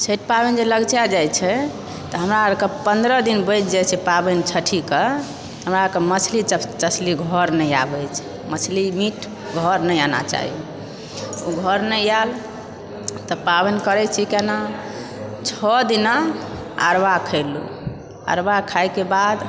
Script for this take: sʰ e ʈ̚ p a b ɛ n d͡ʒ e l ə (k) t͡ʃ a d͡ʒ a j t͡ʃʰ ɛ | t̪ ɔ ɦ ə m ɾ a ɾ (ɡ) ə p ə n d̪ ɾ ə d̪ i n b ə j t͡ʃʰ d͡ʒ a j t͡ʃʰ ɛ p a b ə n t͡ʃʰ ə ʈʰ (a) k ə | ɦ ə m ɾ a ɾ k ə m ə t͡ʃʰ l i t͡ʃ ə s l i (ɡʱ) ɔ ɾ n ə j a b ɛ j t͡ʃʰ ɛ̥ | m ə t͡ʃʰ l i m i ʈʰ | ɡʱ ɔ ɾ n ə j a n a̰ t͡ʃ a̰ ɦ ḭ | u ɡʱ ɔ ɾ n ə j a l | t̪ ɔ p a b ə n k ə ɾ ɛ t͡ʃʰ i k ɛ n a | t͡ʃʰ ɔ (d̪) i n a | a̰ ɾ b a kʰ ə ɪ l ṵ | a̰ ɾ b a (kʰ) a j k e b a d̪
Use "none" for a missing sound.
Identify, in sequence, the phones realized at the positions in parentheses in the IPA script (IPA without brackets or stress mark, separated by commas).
ɡ, k, i, ɡʱ, d̪, kʰ